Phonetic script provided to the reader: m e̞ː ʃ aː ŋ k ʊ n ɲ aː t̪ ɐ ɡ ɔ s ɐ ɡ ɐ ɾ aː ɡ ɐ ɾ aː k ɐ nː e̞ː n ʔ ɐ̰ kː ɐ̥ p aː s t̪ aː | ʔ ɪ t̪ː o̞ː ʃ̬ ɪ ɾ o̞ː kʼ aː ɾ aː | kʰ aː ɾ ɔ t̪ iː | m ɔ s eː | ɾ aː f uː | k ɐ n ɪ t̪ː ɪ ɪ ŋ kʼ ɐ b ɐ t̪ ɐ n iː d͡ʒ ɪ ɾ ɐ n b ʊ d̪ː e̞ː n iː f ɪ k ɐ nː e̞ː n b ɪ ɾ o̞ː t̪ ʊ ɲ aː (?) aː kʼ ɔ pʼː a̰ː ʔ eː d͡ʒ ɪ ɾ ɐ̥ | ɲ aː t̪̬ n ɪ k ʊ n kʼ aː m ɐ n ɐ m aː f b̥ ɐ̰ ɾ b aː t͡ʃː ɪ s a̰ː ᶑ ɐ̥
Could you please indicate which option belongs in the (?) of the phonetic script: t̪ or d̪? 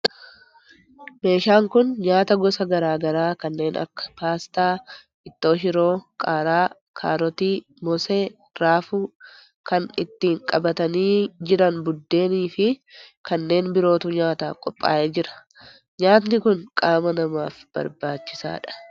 t̪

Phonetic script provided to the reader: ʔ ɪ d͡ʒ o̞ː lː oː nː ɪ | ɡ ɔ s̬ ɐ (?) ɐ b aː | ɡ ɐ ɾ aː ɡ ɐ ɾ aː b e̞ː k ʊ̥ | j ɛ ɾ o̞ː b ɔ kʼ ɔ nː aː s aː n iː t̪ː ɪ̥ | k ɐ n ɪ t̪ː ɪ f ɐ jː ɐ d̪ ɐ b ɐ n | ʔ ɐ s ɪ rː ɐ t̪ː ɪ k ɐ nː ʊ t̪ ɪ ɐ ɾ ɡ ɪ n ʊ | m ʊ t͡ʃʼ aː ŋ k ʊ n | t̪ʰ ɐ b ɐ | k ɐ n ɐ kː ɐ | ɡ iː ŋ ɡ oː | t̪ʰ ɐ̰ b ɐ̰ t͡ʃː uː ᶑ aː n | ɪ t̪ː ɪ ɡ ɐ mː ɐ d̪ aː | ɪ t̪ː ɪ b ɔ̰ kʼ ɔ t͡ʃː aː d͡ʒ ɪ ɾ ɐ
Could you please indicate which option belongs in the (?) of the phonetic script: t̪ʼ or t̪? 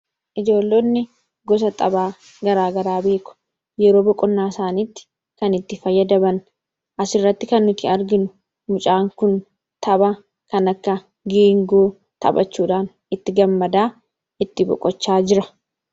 t̪ʼ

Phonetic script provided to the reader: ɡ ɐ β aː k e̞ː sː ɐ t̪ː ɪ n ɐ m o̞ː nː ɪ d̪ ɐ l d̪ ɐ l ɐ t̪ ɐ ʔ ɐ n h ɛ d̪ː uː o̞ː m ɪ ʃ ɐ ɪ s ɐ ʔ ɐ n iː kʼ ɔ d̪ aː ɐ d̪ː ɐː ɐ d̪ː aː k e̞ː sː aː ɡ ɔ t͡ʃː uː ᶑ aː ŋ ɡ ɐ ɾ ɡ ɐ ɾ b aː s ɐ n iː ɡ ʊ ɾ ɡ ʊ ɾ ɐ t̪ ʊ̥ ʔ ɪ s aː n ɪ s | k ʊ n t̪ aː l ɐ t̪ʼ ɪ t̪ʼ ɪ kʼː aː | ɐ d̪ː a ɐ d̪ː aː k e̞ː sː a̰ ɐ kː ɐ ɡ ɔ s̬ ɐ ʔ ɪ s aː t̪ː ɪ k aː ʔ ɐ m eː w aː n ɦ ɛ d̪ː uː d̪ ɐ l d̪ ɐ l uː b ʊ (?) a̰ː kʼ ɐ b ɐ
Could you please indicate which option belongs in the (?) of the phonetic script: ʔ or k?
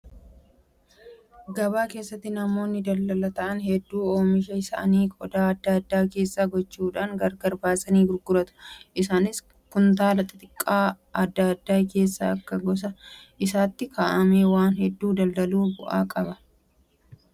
ʔ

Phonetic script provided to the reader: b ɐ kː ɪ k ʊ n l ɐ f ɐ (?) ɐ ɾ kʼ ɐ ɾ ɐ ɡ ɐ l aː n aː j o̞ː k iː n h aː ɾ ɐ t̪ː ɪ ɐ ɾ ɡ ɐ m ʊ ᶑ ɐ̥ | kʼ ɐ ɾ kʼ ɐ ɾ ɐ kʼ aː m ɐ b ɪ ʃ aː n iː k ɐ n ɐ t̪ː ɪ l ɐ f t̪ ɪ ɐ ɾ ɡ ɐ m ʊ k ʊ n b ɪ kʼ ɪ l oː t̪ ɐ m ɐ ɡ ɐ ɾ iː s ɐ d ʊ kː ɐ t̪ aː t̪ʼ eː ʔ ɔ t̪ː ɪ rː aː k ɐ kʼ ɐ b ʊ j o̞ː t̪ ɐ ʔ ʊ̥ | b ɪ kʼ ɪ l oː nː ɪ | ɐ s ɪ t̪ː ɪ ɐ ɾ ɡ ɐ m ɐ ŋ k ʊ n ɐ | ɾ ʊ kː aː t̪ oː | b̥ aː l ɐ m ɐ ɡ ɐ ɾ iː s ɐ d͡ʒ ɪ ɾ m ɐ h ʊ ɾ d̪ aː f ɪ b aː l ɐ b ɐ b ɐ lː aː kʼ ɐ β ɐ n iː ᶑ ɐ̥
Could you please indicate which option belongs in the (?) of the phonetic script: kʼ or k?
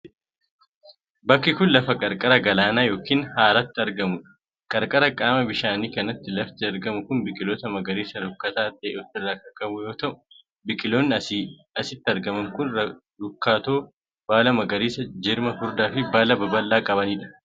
kʼ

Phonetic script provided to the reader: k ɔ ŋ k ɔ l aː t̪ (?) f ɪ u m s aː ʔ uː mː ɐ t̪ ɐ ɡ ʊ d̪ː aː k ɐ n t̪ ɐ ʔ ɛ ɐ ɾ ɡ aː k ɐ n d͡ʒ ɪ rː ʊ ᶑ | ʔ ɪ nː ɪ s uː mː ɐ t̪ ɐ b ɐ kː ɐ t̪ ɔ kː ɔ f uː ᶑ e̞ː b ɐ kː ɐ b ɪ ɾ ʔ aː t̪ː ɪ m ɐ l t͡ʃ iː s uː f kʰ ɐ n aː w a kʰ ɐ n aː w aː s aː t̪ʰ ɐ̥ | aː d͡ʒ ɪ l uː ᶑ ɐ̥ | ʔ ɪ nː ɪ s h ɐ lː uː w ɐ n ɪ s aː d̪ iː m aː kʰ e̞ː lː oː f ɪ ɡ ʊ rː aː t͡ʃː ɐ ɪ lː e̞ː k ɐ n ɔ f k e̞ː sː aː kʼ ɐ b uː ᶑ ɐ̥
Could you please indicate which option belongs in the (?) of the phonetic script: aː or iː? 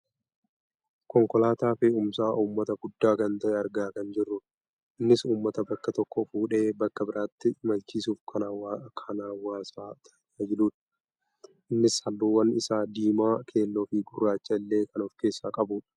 aː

